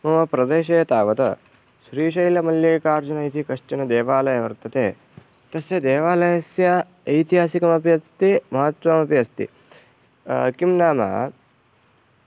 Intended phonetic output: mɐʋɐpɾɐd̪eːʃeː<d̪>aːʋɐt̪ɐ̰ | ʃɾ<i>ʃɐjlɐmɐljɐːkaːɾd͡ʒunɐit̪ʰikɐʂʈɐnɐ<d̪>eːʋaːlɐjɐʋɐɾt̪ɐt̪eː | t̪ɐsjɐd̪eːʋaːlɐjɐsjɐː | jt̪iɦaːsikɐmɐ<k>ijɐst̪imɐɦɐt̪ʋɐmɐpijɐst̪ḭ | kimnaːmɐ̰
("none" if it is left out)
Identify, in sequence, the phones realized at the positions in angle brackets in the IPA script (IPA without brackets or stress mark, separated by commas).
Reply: t̪, iː, d̪, p